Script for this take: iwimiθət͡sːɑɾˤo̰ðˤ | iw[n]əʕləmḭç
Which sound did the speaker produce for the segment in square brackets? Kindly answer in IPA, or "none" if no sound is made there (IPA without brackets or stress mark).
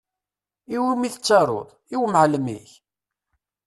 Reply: m